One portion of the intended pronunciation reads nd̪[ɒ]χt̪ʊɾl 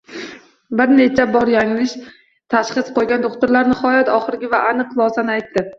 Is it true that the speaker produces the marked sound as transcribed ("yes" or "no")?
no